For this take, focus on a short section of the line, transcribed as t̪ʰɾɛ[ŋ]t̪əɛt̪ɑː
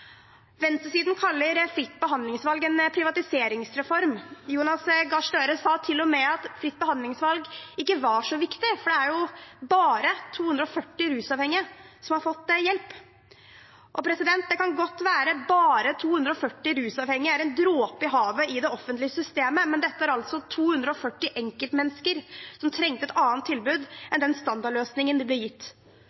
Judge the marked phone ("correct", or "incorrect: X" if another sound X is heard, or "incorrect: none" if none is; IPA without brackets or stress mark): correct